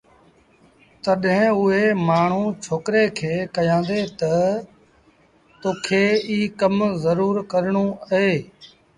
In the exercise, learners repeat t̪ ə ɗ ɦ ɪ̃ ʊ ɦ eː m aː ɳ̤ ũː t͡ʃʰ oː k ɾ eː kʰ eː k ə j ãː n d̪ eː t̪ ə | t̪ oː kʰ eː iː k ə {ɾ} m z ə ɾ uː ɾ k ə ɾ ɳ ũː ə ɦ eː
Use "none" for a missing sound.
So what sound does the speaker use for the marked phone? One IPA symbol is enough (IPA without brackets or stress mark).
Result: none